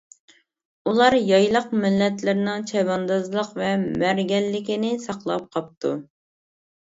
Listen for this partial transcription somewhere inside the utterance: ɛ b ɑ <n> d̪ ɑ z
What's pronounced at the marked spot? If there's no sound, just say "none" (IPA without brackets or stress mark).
n